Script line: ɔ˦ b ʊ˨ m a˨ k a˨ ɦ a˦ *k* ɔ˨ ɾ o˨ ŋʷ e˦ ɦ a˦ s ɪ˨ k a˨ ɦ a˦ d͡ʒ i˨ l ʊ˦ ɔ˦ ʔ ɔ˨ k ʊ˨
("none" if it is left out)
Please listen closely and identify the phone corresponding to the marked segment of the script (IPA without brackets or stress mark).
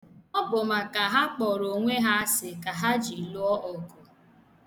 k͡p